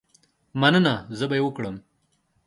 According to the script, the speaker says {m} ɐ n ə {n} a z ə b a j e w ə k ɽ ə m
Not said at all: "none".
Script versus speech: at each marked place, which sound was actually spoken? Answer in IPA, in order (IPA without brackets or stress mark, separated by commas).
m, n